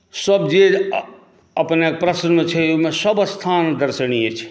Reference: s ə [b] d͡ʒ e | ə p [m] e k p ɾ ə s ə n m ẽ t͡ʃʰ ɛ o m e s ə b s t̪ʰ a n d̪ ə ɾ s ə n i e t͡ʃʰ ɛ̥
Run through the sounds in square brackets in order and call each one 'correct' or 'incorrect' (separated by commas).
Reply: correct, incorrect